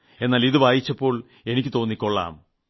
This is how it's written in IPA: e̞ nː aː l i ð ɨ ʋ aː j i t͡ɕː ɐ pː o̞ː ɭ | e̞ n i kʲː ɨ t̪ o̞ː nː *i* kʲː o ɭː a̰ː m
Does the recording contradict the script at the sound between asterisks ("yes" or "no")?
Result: no